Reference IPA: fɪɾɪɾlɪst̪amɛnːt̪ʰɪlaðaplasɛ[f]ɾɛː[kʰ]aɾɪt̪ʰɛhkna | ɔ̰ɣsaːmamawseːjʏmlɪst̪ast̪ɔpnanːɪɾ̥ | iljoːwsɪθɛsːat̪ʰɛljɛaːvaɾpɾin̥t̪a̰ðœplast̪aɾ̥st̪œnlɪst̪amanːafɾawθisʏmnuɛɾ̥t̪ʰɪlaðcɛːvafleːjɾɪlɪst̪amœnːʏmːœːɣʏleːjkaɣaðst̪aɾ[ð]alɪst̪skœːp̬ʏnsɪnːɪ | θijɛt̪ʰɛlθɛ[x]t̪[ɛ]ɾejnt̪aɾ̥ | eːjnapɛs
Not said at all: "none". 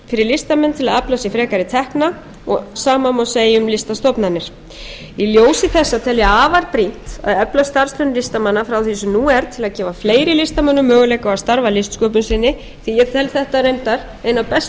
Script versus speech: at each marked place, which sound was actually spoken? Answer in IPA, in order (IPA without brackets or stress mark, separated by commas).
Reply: f, k, v, h, a